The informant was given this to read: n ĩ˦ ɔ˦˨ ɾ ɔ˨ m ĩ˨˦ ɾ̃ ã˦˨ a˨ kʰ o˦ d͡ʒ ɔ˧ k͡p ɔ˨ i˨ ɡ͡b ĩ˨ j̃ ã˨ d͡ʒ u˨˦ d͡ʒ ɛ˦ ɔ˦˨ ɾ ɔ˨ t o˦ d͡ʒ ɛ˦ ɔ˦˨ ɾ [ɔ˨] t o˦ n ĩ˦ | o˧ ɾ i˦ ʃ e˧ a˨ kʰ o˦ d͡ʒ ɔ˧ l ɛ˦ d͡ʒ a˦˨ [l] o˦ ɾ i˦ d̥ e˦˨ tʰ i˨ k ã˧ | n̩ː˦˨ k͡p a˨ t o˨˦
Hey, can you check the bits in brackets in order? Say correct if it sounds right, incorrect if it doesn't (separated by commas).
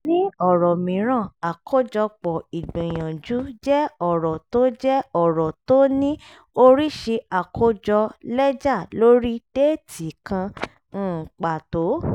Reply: correct, correct